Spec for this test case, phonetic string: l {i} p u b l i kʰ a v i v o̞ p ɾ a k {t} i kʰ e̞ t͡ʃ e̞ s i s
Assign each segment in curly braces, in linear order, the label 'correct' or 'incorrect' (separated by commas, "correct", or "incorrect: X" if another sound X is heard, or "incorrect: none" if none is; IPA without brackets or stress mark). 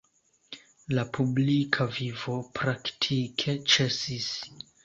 incorrect: a, incorrect: tʰ